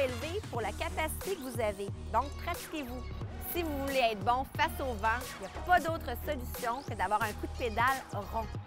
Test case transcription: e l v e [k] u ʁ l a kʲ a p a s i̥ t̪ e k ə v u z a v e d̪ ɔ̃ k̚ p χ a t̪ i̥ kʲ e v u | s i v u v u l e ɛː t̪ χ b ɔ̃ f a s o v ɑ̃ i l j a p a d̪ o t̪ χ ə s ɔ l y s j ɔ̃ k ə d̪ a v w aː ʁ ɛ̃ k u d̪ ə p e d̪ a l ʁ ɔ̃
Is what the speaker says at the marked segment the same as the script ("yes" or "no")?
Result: no